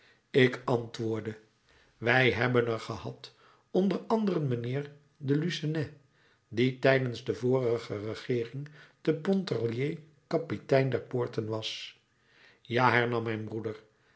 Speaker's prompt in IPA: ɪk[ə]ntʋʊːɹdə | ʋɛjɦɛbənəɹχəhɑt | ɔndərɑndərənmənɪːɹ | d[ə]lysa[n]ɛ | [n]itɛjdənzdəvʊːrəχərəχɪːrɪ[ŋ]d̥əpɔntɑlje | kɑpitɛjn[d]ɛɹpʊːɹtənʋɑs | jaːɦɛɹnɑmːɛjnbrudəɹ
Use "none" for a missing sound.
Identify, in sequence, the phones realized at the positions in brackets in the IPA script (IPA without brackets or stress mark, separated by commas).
ɑ, ə, n, d, ŋ, d